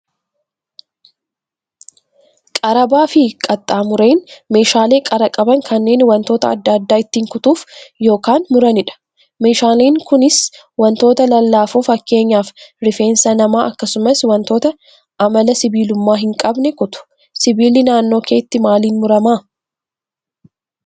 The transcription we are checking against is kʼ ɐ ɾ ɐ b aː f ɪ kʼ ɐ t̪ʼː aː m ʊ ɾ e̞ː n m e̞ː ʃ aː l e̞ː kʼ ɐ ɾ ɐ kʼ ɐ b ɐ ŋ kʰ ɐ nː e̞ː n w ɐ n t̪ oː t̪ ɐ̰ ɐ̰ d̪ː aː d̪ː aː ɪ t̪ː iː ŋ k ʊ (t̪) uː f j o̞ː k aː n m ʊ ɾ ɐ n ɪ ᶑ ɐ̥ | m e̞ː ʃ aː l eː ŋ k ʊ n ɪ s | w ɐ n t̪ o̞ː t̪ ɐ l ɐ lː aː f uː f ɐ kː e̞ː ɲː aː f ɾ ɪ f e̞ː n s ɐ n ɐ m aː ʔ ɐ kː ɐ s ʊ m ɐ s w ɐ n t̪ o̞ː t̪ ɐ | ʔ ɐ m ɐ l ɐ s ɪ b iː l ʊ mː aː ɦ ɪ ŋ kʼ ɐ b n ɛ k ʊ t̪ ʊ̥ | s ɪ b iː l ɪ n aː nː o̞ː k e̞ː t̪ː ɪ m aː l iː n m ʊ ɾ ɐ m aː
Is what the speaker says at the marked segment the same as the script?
yes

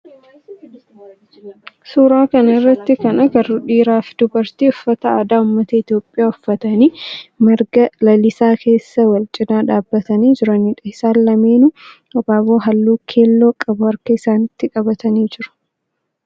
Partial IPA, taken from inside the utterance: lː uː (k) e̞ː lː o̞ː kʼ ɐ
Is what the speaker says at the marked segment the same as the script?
no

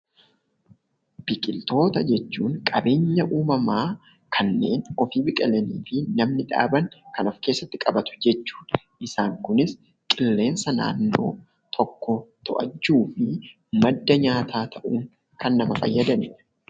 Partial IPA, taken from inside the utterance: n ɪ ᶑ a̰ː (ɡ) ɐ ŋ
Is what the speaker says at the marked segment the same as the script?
no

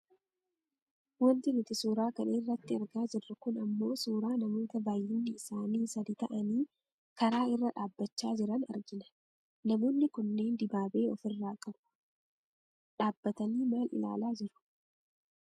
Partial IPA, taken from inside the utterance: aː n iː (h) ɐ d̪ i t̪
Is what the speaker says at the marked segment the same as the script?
no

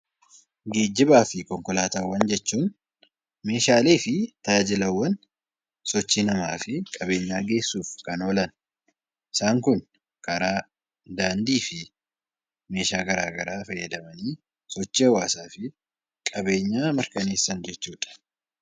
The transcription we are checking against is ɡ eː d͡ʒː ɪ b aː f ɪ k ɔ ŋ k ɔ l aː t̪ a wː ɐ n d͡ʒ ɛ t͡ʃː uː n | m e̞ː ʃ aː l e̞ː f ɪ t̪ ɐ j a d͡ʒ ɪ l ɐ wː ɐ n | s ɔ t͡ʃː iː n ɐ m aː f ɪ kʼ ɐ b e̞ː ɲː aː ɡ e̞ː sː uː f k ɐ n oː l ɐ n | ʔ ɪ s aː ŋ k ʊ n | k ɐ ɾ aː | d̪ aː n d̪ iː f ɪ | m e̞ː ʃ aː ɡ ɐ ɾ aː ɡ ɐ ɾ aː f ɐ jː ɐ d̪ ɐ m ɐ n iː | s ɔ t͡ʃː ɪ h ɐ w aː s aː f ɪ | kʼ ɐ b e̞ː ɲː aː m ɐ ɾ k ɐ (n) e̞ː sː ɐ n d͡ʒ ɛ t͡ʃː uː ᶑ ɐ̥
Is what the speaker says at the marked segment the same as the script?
yes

